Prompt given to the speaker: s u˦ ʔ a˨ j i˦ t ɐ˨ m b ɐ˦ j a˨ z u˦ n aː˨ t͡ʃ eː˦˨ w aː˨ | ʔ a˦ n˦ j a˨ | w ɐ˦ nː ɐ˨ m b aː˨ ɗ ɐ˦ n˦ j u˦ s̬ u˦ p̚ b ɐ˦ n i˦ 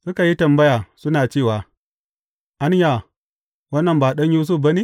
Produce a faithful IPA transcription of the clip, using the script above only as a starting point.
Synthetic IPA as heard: s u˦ k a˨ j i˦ t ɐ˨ m b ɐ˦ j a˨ s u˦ n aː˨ t͡ʃ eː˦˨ w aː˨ | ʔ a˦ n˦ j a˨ | w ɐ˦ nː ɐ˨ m b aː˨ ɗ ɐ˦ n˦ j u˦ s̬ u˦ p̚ b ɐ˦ n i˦